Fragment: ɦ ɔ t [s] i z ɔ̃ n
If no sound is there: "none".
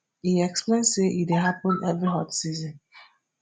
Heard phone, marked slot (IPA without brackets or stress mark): s